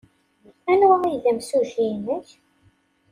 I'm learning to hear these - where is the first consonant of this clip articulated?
tongue tip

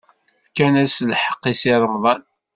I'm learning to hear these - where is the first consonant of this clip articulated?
velum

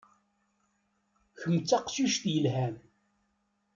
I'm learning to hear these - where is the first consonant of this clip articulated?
palate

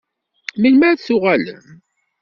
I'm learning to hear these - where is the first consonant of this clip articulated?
lips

